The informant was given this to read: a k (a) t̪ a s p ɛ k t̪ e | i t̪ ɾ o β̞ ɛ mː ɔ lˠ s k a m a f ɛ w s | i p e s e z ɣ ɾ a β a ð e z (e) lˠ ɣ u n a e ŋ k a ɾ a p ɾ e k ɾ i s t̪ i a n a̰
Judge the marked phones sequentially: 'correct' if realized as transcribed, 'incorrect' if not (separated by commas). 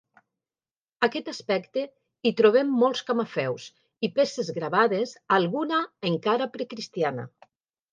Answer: incorrect, incorrect